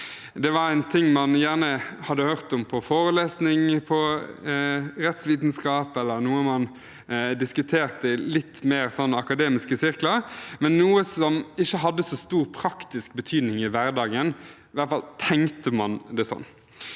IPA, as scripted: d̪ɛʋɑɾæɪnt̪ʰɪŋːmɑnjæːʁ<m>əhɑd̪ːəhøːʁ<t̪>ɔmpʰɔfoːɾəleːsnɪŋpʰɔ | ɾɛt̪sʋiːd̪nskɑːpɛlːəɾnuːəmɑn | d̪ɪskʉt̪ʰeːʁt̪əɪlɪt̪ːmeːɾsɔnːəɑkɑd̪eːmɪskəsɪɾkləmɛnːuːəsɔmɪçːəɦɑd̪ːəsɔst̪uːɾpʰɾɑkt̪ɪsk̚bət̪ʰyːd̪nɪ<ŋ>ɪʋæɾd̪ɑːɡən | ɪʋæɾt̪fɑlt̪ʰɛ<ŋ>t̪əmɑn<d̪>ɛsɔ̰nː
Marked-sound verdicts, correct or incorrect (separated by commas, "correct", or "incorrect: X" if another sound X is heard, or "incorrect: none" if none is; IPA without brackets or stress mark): incorrect: n, correct, correct, correct, correct